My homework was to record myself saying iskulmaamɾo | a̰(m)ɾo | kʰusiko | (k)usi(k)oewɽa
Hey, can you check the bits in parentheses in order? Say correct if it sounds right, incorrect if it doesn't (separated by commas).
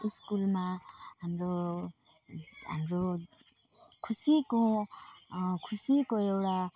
correct, incorrect, correct